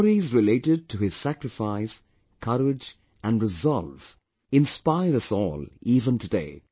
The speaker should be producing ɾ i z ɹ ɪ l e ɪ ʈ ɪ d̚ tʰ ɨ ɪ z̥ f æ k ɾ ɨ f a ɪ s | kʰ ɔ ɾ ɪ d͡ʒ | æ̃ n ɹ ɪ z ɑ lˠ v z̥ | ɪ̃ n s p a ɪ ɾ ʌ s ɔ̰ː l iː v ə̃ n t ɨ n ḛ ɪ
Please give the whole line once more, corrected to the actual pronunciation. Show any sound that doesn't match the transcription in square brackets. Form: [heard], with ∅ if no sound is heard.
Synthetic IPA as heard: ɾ i z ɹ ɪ l e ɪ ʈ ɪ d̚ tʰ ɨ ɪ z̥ [s] æ k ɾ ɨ f a ɪ s | kʰ [ʌ] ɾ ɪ d͡ʒ | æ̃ n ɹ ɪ z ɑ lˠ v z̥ | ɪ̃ n s p a ɪ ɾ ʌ s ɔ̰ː l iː v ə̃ n t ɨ [d] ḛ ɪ